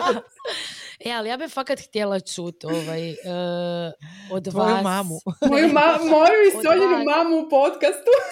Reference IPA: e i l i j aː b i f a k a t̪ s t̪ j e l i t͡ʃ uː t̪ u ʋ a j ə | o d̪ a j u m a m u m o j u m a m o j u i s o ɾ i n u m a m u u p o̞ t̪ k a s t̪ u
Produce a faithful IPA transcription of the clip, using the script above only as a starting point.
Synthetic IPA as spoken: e a l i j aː b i f a k a t̪ x t̪ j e l a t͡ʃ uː t̪ o ʋ a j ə | o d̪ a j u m a m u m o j u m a m o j u i s o ʎ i n u m a m u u p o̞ t̪ k a s t̪ u